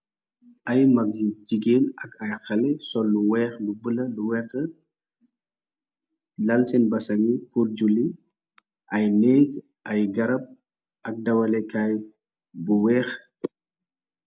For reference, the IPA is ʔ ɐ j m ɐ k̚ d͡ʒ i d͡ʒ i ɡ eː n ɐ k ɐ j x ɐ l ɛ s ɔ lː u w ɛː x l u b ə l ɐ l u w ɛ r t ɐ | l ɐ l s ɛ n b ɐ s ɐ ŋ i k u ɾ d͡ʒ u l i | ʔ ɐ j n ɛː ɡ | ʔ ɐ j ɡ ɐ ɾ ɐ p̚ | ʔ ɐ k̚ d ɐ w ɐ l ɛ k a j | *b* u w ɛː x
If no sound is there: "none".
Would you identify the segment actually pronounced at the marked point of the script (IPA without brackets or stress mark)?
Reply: b